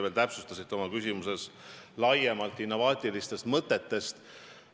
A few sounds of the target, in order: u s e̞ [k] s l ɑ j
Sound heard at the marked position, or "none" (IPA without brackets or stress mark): none